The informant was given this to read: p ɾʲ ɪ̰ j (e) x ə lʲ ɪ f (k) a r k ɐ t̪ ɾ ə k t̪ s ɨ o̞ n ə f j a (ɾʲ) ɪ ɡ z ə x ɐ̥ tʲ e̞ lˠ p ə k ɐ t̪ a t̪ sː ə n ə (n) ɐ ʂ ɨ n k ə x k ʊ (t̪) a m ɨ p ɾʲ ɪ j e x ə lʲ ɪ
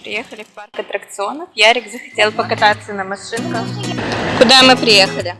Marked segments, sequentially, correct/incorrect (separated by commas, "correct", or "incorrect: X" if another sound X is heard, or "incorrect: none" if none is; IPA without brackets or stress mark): correct, incorrect: p, correct, incorrect: m, incorrect: d̪